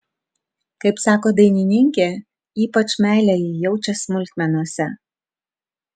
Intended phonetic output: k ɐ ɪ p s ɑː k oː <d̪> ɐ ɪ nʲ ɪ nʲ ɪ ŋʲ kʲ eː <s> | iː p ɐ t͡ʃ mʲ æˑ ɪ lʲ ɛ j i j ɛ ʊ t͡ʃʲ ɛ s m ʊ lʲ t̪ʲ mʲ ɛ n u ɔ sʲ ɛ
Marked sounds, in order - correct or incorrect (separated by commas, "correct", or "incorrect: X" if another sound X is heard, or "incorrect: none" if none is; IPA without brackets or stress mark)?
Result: correct, incorrect: none